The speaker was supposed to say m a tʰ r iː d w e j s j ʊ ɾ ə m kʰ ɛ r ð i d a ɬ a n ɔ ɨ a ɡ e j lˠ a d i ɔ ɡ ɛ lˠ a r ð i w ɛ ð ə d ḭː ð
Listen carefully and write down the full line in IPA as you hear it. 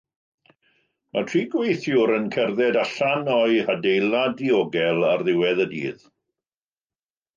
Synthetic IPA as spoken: m a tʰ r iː ɡ w e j θ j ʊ ɾ ə n kʰ ɛ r ð ɛ d a ɬ a n ɔ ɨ a d e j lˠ a d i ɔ ɡ ɛ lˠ a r ð ɪ w ɛ ð ə d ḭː ð